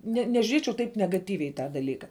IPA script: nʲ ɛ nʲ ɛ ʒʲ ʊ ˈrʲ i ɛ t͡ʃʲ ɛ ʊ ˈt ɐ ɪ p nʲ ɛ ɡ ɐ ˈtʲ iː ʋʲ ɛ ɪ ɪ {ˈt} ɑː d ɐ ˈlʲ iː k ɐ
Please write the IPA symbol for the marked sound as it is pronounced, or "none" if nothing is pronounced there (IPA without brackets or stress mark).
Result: t